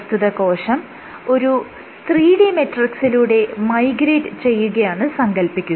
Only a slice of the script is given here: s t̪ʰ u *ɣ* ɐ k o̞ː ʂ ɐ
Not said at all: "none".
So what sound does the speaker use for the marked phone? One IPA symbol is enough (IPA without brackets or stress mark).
ð